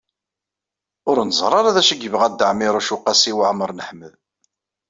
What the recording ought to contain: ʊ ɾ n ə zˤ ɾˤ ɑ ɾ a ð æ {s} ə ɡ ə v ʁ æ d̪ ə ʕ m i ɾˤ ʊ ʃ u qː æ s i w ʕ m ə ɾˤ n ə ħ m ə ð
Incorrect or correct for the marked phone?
incorrect: ʃ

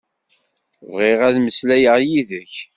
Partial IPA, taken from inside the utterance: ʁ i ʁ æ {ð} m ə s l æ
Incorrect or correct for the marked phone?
correct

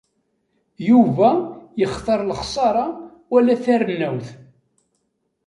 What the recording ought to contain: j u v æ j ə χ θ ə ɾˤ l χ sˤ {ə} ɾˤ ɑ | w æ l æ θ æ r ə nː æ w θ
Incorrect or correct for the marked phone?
incorrect: ɑ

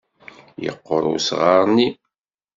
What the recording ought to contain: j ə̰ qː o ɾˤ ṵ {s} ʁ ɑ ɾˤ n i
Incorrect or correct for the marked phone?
correct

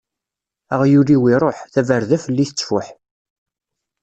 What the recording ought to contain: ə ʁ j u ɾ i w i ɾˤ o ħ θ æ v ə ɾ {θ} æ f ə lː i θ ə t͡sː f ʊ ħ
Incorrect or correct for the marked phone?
incorrect: ð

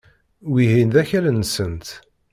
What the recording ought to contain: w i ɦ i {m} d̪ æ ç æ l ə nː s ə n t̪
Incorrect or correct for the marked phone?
incorrect: n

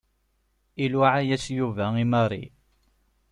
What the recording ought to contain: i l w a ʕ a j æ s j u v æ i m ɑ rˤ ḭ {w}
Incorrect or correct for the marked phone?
incorrect: none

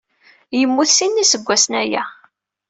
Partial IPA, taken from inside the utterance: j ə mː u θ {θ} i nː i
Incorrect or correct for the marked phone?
incorrect: s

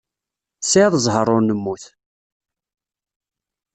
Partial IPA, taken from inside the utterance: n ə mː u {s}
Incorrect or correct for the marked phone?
incorrect: θ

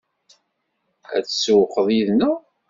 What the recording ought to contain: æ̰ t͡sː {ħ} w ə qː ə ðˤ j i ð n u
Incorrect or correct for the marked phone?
incorrect: s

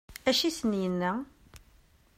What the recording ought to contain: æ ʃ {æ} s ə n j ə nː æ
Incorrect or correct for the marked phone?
incorrect: i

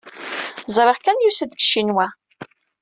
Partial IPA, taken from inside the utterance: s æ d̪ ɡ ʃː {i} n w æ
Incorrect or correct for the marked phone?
correct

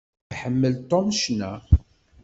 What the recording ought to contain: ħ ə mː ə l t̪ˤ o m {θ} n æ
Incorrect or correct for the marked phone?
incorrect: ʃ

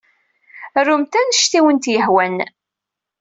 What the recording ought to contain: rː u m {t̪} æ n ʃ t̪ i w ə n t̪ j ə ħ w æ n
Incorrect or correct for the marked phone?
correct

